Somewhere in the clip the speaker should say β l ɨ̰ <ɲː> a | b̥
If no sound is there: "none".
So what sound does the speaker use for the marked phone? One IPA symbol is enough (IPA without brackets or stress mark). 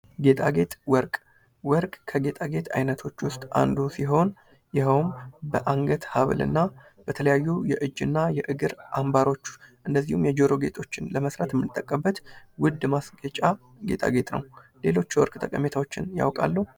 nː